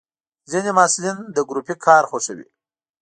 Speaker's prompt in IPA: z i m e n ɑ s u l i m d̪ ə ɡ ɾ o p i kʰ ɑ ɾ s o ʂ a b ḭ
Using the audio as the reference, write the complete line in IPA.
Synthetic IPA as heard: z i n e m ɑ s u l i n d̪ ə ɡ ɾ u p i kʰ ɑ ɾ x o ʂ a w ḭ